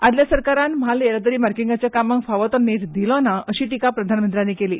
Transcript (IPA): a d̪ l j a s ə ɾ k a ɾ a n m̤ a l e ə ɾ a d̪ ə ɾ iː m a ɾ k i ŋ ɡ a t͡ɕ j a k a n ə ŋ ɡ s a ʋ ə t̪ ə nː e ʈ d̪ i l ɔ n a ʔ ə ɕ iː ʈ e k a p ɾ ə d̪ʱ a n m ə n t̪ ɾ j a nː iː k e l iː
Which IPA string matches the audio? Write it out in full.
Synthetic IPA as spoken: a d̪ l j a s ə ɾ k a ɾ a n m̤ a l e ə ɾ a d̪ ə ɾ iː m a ɾ k i ŋ ɡ a t͡ɕ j a k a m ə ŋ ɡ f a ʋ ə t̪ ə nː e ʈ d̪ i l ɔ n a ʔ ə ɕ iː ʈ i k a p ɾ ə d̪ʱ a n m ə n t̪ ɾ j a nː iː k e l iː